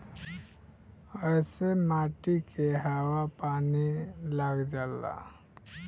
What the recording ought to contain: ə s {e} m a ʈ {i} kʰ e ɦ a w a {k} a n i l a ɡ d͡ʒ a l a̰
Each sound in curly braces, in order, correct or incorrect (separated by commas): correct, correct, incorrect